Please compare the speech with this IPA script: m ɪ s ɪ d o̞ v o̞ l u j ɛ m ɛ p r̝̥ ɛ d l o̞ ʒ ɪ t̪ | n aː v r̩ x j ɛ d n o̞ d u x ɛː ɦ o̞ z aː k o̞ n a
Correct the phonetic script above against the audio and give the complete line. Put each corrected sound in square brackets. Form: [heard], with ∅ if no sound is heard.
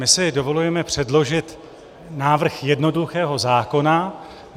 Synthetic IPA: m ɪ s ɪ d o̞ v o̞ l u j ɛ m ɛ p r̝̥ ɛ d l o̞ ʒ ɪ t̪ | n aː v r̩ x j ɛ d n o̞ d u x ɛː ɦ o̞ z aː k o̞ n a